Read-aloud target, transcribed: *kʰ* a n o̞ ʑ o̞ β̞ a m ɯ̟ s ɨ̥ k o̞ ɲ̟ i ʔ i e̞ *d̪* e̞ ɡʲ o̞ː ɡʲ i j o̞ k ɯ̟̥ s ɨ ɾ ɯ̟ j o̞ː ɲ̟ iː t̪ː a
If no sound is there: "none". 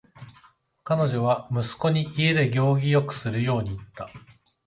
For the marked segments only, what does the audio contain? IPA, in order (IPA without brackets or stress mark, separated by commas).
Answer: k, d̪